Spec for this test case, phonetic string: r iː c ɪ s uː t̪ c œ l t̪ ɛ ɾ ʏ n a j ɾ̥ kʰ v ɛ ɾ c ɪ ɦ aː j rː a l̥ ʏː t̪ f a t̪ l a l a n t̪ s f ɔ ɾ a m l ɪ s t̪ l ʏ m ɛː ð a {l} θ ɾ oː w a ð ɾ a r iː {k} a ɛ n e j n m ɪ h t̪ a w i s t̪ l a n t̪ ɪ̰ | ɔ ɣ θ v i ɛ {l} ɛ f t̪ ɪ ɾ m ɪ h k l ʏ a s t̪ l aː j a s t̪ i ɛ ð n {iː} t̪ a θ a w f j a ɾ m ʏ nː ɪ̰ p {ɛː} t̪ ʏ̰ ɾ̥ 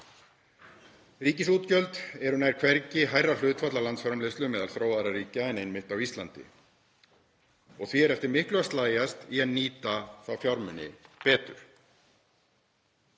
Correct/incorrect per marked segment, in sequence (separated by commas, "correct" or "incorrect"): correct, incorrect, incorrect, correct, correct